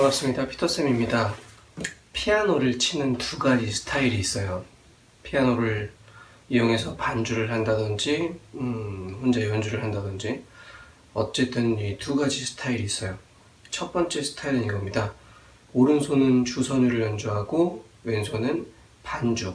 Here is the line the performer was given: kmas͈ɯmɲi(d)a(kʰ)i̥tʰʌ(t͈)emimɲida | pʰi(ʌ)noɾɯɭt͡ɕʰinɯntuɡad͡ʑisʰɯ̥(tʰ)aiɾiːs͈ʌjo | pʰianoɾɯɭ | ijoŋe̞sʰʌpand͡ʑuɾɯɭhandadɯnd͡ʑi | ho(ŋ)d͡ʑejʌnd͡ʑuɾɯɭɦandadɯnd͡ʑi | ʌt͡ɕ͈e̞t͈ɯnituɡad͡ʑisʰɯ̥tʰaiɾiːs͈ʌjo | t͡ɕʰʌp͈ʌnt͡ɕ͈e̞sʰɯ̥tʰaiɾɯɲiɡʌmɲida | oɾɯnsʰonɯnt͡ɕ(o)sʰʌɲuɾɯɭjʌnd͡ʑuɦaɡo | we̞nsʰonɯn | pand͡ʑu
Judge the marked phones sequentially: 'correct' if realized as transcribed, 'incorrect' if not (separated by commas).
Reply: correct, incorrect, incorrect, incorrect, correct, incorrect, incorrect